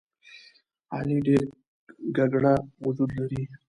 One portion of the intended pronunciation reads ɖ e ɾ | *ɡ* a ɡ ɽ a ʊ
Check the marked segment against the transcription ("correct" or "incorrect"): correct